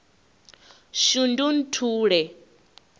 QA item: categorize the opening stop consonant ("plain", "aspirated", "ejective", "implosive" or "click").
plain